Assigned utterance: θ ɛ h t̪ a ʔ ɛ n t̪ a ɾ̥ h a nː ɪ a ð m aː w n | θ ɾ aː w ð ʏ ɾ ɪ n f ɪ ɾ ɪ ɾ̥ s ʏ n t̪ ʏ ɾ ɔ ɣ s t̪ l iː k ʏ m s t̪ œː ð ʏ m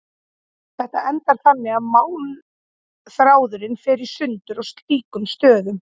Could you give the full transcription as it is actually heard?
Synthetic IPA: θ ɛ h t̪ a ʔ ɛ n t̪ a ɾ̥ θ a nː ɪ a ð m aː w n | θ ɾ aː w ð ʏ ɾ ɪ n f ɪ ɾ ɪ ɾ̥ s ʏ n t̪ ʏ ɾ ɔ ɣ s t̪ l iː k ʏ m s t̪ œː ð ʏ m